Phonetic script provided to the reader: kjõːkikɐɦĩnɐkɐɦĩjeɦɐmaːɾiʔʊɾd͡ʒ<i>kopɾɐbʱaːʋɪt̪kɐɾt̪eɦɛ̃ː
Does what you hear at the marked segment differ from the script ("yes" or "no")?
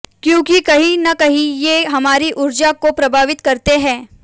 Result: yes